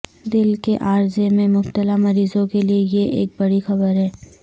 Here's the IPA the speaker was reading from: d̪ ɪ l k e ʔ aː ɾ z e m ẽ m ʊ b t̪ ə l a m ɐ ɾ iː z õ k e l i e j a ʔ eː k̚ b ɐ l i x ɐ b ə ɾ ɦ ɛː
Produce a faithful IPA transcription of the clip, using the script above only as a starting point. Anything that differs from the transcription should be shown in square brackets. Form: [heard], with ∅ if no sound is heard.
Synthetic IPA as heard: d̪ ɪ l k e ʔ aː ɾ z e m ẽ m ʊ b t̪ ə l a m ɐ ɾ iː z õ k e l i e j [e] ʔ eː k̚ b ɐ [ɽ] i x ɐ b ə ɾ ɦ ɛː